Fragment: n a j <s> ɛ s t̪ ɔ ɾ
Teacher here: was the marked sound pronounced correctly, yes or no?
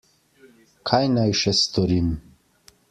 no